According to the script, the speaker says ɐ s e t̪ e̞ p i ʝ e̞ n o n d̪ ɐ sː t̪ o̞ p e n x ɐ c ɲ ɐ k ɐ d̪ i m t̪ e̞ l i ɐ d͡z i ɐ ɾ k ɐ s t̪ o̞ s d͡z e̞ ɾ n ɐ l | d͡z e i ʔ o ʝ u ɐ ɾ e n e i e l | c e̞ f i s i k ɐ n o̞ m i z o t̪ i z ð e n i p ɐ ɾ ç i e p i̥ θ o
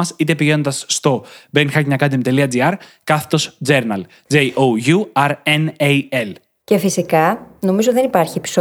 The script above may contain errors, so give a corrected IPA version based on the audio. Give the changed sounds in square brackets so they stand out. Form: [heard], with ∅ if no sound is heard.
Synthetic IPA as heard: ɐ s [i] t̪ e̞ p i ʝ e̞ n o n d̪ ɐ sː t̪ o̞ [b] e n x ɐ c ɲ ɐ k ɐ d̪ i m t̪ e̞ l i ɐ d͡z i ɐ ɾ k ɐ [θ] t̪ o̞ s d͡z e̞ ɾ n ɐ l | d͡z e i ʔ o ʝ u ɐ ɾ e n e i e l | c e̞ f i s i k ɐ n o̞ m i z o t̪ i [∅] ð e n i p ɐ ɾ ç i e p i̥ [s] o